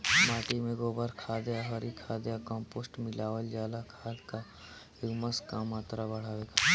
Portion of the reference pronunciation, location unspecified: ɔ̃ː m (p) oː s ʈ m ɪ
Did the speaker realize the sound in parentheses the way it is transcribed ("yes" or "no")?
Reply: yes